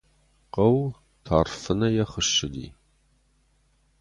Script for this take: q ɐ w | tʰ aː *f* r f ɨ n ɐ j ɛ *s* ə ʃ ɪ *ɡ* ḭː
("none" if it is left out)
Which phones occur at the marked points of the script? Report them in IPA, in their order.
none, χ, d

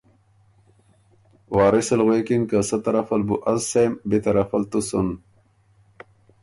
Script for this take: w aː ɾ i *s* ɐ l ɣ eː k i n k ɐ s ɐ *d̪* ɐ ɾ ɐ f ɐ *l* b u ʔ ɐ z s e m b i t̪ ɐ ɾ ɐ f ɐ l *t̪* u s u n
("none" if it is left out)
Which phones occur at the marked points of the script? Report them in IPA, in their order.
s, t̪, l, t̪

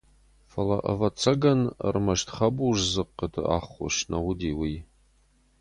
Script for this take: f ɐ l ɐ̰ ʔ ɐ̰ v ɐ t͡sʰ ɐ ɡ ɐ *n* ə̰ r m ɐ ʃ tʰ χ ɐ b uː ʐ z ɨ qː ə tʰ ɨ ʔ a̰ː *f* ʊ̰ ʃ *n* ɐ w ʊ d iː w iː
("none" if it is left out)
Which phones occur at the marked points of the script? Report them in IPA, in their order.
n, χ, n

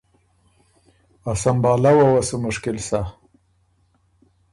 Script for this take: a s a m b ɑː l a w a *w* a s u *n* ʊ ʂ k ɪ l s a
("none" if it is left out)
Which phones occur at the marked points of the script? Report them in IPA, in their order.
w, m

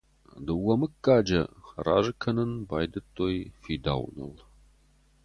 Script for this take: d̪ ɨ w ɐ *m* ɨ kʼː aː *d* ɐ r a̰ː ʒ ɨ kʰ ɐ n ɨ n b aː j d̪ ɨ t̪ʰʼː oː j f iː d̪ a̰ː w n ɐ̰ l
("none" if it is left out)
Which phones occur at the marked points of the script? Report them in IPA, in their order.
m, d͡ʒ

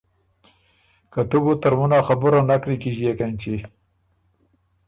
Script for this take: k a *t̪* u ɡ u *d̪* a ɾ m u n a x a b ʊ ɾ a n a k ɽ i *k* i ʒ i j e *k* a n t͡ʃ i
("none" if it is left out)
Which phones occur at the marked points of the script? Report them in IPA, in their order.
t̪, t̪, k, k

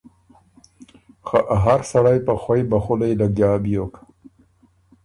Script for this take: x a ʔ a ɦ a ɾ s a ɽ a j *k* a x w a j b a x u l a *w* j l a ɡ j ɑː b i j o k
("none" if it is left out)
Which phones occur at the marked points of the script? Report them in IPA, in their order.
p, none

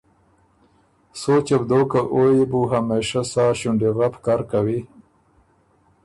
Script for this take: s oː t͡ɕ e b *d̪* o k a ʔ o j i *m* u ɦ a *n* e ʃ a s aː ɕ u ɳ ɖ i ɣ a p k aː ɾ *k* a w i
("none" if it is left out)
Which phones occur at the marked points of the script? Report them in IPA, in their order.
d̪, b, m, k

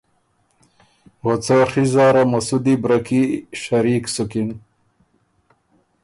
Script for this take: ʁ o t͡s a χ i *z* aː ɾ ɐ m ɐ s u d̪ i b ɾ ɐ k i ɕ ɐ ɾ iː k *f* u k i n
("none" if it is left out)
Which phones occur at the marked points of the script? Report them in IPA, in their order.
z, s

